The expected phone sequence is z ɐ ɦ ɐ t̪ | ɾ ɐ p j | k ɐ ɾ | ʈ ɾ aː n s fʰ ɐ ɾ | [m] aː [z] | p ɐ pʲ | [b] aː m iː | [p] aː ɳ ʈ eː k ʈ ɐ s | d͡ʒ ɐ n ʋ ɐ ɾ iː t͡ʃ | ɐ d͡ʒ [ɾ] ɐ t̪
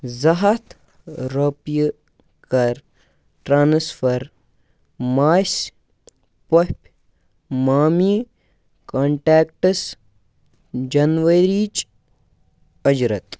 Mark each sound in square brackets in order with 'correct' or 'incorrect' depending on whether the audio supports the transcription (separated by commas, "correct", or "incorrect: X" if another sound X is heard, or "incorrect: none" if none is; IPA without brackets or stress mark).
correct, incorrect: s, incorrect: m, incorrect: k, correct